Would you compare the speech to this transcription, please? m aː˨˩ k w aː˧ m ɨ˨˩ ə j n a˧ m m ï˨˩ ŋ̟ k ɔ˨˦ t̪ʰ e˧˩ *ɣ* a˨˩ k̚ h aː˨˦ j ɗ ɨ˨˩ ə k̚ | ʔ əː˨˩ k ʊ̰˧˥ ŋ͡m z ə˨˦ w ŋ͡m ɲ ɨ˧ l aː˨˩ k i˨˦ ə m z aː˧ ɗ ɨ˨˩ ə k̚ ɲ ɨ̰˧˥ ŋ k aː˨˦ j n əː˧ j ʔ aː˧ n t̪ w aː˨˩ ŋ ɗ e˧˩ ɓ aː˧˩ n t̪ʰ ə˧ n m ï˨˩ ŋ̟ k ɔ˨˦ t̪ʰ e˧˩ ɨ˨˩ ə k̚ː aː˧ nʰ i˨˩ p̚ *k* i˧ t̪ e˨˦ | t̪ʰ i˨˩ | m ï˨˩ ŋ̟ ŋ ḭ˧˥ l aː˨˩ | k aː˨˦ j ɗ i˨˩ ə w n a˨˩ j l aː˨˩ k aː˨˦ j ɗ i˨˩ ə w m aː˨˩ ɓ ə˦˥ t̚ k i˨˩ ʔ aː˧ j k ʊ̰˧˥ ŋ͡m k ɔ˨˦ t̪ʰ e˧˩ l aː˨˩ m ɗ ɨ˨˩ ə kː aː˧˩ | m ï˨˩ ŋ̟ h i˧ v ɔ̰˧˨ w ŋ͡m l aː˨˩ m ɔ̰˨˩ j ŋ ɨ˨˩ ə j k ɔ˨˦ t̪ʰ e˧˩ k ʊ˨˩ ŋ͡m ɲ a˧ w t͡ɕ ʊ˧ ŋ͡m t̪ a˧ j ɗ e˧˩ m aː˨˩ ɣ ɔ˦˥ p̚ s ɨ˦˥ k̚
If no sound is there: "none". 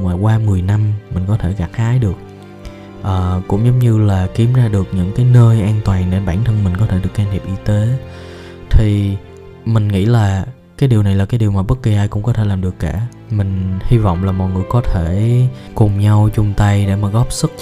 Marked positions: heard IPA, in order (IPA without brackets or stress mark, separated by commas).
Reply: ɣ, ʔ